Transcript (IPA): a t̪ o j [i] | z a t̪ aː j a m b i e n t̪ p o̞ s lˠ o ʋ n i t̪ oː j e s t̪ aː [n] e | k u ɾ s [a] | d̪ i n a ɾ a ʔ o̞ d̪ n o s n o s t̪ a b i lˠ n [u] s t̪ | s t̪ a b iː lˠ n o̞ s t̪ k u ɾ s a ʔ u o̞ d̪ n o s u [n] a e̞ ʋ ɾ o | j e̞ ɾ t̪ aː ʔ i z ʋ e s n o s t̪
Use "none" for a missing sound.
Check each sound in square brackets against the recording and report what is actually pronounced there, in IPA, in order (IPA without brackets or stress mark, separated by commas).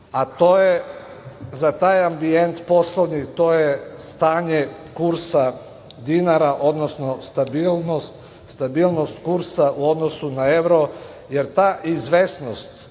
e, ɲ, a, o, n